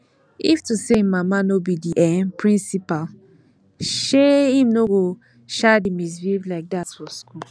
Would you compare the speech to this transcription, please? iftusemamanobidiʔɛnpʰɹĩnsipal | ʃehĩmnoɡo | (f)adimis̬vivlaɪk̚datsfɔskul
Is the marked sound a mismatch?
yes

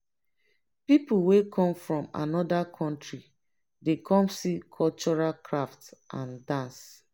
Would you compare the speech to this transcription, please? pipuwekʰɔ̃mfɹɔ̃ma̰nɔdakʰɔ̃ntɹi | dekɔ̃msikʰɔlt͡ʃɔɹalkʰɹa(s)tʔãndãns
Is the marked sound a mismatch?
yes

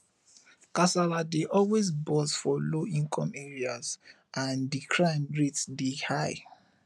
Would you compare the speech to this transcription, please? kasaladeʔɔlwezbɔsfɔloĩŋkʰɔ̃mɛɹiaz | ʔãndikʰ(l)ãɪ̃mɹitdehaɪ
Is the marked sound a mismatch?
yes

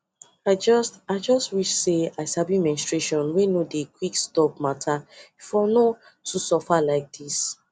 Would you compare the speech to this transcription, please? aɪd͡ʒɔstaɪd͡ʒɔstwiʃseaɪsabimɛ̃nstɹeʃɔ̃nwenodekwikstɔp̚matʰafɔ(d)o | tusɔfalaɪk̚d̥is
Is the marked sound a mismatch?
yes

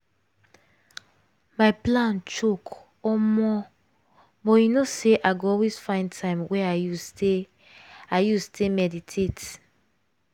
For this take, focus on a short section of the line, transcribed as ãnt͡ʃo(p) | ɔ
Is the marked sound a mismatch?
yes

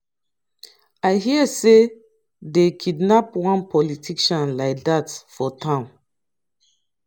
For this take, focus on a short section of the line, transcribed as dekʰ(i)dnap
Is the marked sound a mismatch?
no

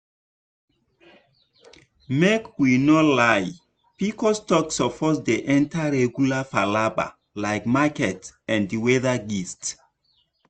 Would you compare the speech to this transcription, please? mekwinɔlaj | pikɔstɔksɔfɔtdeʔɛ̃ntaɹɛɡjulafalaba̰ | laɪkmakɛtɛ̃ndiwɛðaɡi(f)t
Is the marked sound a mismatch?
yes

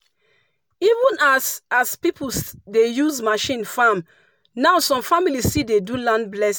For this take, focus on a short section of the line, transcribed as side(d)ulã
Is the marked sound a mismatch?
no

